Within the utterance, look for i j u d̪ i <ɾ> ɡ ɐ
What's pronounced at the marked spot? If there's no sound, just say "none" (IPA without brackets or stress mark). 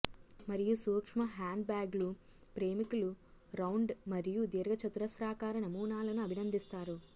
ɾ